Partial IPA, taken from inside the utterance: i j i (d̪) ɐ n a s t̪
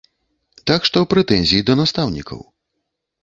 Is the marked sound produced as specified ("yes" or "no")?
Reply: yes